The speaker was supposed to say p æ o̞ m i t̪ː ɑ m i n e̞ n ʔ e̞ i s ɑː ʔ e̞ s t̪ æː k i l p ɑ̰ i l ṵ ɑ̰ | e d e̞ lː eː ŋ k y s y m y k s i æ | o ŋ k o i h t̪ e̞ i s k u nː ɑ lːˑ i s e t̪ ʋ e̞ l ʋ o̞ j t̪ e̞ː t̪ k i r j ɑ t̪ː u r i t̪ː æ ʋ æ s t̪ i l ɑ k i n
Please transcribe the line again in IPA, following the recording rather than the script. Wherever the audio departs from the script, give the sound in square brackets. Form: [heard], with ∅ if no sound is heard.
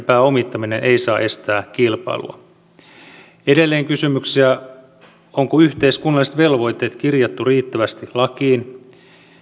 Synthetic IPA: p [æː] o̞ m i t̪ː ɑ m i n e̞ n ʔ e̞ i s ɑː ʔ e̞ s t̪ æː k i l p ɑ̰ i l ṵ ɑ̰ | e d e̞ lː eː ŋ k y s y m y k s i æ | o ŋ k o [y] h t̪ e̞ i s k u nː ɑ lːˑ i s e t̪ ʋ e̞ l ʋ o̞ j t̪ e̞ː t̪ k i r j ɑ t̪ː u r [iː] t̪ː æ ʋ æ s t̪ i l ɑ k [iː] n